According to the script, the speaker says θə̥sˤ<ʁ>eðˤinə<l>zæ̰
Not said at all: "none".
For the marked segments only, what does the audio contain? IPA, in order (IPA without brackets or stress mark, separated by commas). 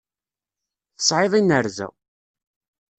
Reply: ʕ, ɾ